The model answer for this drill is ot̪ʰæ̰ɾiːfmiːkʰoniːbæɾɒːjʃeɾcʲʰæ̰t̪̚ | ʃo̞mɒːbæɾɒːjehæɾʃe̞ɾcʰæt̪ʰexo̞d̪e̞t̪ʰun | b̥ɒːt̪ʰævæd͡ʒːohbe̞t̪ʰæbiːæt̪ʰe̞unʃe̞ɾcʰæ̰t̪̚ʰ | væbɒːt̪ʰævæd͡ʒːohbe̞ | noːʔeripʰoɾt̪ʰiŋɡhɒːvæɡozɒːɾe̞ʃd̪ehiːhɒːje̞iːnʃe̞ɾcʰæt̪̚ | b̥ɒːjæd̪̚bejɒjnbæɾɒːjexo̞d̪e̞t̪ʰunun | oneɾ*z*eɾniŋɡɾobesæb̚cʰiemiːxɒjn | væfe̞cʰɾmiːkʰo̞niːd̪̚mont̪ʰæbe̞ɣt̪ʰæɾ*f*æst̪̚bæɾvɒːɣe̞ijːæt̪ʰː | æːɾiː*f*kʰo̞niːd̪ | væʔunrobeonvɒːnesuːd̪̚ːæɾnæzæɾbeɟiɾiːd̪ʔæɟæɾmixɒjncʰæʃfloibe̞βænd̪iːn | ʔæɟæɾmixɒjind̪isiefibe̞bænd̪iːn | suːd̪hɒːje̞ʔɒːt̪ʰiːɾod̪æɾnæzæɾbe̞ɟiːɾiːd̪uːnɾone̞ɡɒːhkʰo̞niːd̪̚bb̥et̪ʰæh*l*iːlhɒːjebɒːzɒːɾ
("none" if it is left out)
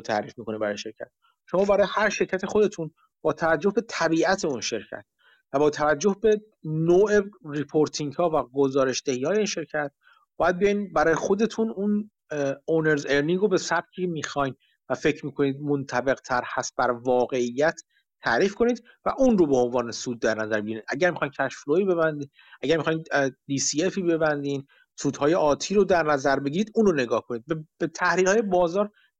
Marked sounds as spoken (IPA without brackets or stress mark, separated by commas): z, h, f, ɾ